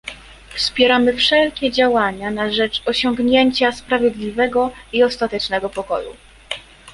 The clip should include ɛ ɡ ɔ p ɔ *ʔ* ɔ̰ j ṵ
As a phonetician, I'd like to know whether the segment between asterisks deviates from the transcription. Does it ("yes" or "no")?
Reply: yes